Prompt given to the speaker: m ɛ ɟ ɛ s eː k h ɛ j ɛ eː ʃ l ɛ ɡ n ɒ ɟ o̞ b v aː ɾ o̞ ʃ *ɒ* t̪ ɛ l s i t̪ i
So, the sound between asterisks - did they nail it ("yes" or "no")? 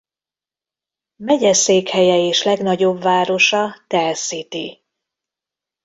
yes